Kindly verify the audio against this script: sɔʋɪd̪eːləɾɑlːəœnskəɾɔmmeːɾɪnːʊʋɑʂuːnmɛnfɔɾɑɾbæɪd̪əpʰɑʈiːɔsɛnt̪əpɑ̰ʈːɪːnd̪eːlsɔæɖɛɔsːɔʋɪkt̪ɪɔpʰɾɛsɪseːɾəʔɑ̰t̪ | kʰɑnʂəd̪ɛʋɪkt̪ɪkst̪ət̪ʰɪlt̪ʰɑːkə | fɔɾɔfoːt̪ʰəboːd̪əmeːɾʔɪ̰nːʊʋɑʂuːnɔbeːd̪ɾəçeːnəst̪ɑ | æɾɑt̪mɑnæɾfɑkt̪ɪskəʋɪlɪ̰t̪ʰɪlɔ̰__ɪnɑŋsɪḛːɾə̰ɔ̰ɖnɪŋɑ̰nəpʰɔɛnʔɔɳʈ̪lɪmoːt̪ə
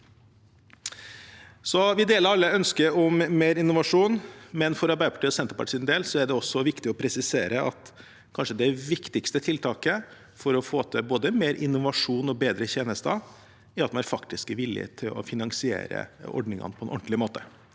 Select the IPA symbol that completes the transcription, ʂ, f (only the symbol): f